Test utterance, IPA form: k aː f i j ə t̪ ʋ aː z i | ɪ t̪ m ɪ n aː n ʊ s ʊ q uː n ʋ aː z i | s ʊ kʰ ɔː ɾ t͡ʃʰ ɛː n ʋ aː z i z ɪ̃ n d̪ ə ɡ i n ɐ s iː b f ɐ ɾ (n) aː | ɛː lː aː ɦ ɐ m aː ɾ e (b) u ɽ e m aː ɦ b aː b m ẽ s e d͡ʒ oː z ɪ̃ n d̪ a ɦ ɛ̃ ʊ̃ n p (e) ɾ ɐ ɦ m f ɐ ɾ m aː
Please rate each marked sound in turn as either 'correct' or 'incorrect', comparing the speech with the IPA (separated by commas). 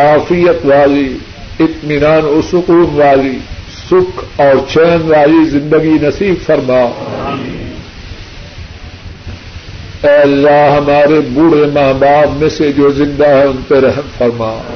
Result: incorrect, correct, correct